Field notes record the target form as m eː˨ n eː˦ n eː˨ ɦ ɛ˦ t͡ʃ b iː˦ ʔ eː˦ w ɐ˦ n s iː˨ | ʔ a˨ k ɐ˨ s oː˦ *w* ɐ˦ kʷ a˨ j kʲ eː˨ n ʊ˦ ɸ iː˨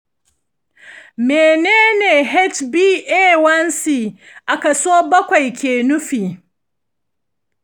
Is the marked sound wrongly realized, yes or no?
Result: yes